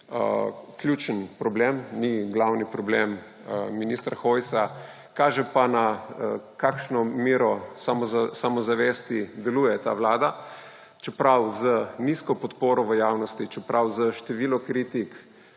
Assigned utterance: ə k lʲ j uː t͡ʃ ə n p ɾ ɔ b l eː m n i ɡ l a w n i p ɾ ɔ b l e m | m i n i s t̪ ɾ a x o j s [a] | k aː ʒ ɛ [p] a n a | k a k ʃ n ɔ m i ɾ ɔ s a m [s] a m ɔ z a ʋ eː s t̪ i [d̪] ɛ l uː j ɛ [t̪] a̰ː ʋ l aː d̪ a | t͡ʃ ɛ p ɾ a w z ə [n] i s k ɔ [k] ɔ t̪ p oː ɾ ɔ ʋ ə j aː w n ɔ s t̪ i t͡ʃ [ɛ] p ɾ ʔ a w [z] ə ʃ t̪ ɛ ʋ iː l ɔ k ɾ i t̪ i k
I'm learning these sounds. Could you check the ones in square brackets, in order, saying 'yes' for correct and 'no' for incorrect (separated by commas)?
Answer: yes, yes, yes, yes, yes, yes, no, yes, yes